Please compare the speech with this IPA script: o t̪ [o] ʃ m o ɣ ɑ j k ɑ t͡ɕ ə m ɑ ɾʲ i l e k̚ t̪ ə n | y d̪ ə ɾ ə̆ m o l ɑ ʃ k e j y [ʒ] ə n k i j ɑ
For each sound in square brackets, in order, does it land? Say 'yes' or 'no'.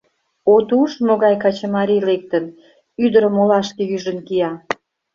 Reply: no, yes

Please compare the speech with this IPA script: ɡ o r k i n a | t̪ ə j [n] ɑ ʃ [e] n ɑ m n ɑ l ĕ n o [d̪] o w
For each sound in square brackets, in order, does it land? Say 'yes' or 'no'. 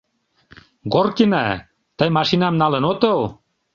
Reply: no, no, no

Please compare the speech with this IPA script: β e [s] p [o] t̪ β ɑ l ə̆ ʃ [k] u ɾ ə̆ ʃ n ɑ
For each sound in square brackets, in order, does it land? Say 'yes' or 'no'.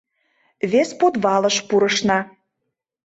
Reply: yes, yes, no

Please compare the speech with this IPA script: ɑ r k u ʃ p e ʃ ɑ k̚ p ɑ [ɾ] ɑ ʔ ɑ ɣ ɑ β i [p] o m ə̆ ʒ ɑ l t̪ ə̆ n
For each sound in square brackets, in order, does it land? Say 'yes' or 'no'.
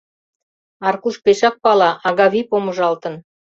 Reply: no, yes

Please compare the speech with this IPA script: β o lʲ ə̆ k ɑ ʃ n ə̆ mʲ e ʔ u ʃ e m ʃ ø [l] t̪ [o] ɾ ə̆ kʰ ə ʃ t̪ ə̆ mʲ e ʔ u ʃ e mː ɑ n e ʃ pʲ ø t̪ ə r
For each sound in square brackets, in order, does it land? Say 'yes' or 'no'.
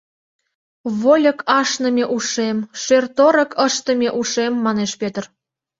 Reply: no, yes

